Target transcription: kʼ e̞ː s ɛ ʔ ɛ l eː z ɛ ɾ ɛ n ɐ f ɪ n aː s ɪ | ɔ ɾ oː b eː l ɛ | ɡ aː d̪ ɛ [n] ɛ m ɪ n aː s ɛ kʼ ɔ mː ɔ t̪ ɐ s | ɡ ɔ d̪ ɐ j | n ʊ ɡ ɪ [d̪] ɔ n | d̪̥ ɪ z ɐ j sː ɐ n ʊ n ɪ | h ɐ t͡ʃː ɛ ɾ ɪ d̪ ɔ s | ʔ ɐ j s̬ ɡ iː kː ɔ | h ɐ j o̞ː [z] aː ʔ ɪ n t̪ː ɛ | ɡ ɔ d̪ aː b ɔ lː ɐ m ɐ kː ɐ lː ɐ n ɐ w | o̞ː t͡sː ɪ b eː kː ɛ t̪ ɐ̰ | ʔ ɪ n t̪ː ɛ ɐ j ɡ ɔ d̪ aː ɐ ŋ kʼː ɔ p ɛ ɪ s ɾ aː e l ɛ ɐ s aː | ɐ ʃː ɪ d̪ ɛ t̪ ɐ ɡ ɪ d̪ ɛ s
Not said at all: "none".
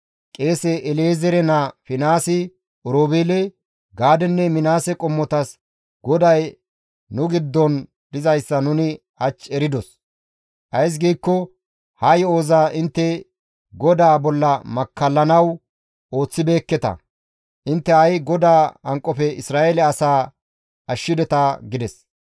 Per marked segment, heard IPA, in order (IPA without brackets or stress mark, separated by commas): nː, d̪ː, z